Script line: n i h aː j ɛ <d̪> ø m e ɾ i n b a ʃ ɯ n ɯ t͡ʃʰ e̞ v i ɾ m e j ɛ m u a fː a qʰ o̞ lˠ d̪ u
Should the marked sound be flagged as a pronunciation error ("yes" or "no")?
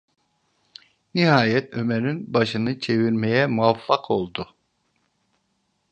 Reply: yes